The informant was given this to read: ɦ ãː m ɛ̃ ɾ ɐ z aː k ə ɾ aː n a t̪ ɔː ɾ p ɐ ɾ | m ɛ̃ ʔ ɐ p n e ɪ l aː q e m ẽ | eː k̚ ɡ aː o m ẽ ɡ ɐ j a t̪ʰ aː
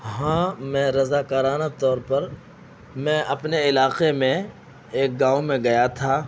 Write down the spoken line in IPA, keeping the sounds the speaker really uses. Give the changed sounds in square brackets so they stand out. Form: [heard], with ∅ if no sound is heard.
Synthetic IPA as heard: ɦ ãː m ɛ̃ ɾ ɐ z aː k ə ɾ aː n a t̪ ɔː ɾ p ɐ ɾ | m ɛ̃ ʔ ɐ p n e ɪ l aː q e m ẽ | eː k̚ ɡ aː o m ẽ ɡ ɐ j a t̪ʰ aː

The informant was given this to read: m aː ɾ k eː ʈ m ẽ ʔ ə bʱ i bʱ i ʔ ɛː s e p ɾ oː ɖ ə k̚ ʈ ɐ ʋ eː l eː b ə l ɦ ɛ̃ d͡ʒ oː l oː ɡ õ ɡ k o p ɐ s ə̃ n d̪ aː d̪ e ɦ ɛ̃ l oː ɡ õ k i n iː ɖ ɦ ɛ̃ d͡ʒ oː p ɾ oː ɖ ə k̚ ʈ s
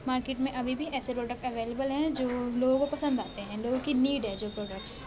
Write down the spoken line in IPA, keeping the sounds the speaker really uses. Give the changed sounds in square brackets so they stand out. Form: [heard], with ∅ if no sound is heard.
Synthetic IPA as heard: m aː ɾ k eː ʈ m ẽ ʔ [ɐ] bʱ i bʱ i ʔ ɛː s e p ɾ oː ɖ ə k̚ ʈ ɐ ʋ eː l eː b ə l ɦ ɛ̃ d͡ʒ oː l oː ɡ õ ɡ k o p ɐ s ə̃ n d̪ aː [t̪] e ɦ ɛ̃ l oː ɡ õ k i n iː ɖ ɦ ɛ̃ d͡ʒ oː p ɾ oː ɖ ə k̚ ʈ s

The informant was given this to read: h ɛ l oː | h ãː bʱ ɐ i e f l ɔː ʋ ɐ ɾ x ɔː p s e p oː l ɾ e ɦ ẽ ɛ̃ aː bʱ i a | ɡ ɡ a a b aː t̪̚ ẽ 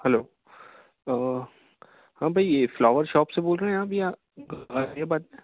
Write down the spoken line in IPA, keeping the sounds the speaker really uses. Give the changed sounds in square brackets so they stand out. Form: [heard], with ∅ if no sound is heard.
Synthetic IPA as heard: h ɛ l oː | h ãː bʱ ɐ i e f l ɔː ʋ [ə] ɾ [ʃ] ɔː p s e [b] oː l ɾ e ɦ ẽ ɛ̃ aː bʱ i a | ɡ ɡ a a b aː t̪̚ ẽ

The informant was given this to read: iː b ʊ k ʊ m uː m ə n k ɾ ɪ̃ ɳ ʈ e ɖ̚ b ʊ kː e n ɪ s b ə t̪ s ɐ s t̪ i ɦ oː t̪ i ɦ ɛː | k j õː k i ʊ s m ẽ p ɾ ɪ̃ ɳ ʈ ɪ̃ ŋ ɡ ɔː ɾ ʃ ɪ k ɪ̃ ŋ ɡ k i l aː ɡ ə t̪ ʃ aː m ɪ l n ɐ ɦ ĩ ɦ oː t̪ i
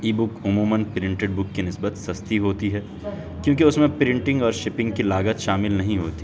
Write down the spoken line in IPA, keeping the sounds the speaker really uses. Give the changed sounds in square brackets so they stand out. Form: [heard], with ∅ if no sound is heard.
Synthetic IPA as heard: iː b ʊ k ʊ m uː m ə n [p] ɾ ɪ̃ ɳ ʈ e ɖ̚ b ʊ kː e n ɪ s b ə t̪ s ɐ s t̪ i ɦ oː t̪ i ɦ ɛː | k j õː k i ʊ s m ẽ p ɾ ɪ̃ ɳ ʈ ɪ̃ ŋ ɡ ɔː ɾ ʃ ɪ [p] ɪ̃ ŋ ɡ k i l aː ɡ ə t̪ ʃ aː m ɪ l n ɐ ɦ ĩ ɦ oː t̪ i

